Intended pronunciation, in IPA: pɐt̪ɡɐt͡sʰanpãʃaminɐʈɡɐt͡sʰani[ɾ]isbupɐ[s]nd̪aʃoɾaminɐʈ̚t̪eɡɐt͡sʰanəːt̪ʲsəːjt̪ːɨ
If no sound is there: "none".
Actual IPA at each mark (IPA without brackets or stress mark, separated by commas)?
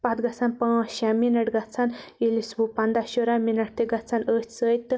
l, none